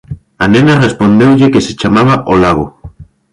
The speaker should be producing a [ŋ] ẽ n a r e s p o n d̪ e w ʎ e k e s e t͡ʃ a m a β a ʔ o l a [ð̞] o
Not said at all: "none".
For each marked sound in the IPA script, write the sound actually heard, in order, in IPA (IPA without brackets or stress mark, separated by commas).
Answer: n, ɣ̞